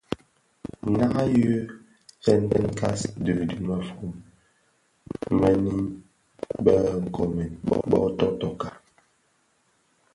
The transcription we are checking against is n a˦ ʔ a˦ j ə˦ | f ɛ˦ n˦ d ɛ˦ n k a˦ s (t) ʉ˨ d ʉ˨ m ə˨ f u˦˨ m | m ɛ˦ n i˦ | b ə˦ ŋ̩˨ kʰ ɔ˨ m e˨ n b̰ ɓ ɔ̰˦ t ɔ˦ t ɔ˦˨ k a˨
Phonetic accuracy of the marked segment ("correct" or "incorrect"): incorrect